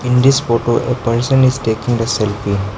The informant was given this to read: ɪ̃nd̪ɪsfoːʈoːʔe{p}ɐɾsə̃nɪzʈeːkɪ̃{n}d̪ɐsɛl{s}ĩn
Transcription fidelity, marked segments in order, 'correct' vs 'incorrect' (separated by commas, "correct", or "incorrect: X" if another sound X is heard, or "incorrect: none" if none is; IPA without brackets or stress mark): correct, incorrect: ŋ, incorrect: f